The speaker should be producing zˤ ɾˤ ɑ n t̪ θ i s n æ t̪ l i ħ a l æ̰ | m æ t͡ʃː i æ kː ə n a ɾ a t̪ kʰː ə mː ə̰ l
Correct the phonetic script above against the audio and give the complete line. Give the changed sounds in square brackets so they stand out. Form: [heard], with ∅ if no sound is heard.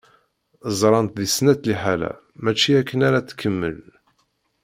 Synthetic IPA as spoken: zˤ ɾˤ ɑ n t̪ [ð] i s n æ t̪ l i ħ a l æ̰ | m æ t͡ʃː i æ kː ə n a ɾ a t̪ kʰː ə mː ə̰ l